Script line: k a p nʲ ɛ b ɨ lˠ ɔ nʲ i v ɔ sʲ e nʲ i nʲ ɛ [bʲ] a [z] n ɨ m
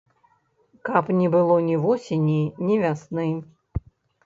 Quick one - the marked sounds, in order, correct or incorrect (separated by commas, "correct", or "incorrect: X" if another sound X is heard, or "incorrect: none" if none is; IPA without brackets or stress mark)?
incorrect: vʲ, incorrect: s